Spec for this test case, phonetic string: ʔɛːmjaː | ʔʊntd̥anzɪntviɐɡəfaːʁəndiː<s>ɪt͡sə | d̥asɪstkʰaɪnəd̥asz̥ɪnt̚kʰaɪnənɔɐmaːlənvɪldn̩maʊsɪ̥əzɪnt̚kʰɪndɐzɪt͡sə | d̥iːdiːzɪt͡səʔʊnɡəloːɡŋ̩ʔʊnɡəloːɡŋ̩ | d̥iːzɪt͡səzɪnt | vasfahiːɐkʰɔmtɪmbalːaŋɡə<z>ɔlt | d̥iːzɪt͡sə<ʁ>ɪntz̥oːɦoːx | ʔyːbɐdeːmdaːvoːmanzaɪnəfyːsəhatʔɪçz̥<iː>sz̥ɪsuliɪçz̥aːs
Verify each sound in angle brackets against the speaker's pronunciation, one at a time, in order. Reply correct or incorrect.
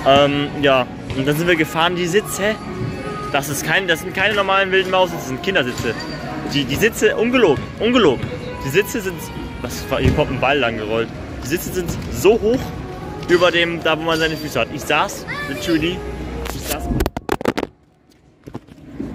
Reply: incorrect, incorrect, incorrect, incorrect

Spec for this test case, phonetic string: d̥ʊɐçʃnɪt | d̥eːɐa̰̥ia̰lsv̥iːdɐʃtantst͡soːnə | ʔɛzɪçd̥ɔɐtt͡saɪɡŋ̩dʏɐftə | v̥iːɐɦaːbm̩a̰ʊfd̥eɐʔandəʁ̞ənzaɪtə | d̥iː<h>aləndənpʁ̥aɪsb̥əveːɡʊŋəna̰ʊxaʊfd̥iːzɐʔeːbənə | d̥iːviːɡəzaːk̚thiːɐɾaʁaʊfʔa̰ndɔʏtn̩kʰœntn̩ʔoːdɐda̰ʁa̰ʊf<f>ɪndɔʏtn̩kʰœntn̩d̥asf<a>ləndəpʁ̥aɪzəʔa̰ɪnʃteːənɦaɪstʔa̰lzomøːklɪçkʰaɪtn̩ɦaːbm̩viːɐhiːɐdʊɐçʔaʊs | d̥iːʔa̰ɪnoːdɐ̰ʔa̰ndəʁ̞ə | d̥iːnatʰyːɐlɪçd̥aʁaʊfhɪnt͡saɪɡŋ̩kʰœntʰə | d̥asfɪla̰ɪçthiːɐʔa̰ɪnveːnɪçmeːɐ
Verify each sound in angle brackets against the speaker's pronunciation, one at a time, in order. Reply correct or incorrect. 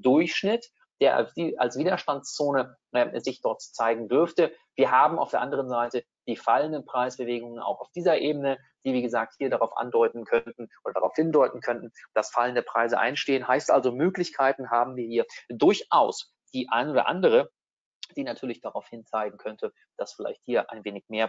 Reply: incorrect, incorrect, correct

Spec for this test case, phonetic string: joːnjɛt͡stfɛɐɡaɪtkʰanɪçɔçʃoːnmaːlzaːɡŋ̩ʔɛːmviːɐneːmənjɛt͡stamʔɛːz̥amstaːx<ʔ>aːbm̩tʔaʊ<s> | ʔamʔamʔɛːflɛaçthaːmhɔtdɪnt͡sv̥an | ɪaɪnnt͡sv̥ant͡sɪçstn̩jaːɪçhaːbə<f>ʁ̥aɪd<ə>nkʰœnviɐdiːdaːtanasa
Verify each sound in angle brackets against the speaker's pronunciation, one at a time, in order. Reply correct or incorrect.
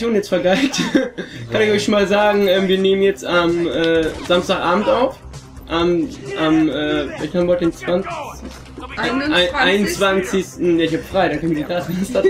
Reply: correct, incorrect, correct, incorrect

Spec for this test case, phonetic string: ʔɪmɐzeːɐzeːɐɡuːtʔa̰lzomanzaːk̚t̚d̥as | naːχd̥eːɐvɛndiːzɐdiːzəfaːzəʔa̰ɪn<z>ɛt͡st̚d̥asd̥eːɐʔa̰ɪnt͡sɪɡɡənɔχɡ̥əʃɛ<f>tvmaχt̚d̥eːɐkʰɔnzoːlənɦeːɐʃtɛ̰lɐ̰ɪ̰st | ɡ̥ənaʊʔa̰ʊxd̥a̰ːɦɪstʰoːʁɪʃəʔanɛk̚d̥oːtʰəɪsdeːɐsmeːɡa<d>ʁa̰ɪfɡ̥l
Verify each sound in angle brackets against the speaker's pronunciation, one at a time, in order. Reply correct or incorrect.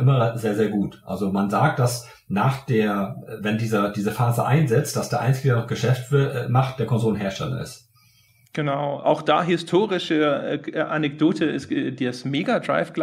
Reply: correct, correct, correct

